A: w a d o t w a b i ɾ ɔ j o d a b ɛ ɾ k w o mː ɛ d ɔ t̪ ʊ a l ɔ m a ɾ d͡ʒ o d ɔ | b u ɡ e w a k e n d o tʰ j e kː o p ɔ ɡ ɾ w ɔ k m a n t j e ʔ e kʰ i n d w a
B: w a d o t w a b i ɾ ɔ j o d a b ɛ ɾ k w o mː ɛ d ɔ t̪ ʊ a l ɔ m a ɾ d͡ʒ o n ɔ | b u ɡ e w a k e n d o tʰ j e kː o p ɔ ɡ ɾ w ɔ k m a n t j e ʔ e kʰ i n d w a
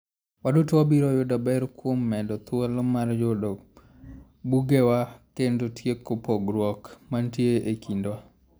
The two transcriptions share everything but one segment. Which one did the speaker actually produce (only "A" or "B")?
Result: A